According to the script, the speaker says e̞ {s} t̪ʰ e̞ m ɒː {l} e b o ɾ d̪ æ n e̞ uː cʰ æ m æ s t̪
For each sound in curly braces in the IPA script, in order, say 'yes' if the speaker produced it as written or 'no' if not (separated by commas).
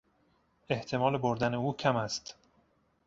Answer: no, yes